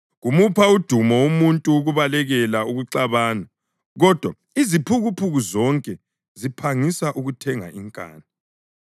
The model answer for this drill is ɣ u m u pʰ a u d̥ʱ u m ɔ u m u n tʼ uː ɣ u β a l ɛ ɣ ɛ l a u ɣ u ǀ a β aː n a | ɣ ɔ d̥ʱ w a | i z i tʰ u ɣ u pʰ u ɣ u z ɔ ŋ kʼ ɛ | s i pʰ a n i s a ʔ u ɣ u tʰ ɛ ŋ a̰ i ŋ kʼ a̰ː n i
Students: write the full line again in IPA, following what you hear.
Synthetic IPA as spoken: ɣ u m u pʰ a u d̥ʱ u m ɔ u m u n tʼ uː ɣ u β a l ɛ ɣ ɛ l a u ɣ u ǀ a β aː n a | ɣ ɔ d̥ʱ w a | i z i pʰ u ɣ u pʰ u ɣ u z ɔ ŋ kʼ ɛ | z i pʰ a ŋ i s a ʔ u ɣ u tʰ ɛ ŋ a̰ i ŋ kʼ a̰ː n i